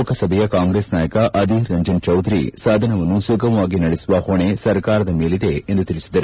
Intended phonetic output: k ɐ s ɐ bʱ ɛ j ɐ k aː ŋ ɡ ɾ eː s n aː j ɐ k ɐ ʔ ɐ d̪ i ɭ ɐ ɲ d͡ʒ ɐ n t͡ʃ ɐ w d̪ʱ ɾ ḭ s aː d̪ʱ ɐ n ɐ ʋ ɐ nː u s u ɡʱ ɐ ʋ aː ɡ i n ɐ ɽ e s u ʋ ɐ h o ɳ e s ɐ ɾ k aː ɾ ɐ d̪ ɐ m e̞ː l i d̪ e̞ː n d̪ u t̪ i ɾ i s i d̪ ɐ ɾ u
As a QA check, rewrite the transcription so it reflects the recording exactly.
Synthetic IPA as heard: k ɐ s ɐ bʱ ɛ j ɐ k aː ŋ ɡ ɾ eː s n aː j ɐ k ɐ ʔ ɐ d̪ i ɾ ɐ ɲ d͡ʒ ɐ n t͡ʃ ɐ w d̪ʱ ɾ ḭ s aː d̪ʱ ɐ n ɐ ʋ ɐ nː u s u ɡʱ ɐ ʋ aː ɡ i n ɐ ɽ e s u ʋ ɐ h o ɳ e s ɐ ɾ k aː ɾ ɐ d̪ ɐ m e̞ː l i d̪ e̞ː n d̪ u t̪ i ɾ i s i d̪ ɐ ɾ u